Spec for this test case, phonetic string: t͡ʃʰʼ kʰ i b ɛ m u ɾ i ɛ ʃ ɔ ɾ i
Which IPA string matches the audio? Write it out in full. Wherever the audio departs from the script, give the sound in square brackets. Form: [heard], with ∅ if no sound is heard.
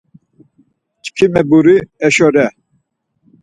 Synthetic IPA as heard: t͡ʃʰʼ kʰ i [m] ɛ [b] u ɾ i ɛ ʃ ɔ ɾ [ɛ]